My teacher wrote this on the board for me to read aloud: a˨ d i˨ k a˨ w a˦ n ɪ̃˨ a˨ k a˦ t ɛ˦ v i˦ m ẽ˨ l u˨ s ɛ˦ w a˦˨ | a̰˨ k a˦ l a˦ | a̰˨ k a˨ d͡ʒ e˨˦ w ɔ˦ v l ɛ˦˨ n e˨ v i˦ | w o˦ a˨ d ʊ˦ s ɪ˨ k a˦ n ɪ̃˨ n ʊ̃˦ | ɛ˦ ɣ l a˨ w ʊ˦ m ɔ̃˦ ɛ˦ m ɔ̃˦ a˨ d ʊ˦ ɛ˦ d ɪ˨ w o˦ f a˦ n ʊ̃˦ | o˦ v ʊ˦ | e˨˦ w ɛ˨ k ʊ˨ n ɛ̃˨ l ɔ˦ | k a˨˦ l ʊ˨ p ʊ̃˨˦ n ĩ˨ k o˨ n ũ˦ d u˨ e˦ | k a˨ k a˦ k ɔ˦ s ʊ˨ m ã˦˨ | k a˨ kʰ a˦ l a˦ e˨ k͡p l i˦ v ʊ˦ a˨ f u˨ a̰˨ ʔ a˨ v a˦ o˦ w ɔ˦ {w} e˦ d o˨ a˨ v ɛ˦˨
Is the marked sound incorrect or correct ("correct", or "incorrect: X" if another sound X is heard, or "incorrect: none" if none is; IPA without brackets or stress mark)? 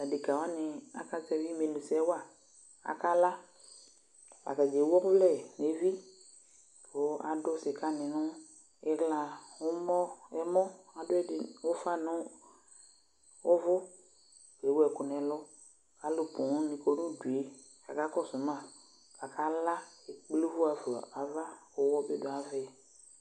incorrect: b